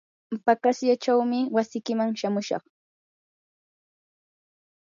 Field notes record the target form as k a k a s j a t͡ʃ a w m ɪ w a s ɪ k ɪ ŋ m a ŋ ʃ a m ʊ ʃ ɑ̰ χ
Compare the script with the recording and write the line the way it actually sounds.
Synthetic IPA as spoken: p a k a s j a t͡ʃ a w m ɪ w a s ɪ k ɪ m a ŋ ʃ a m ʊ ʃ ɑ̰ χ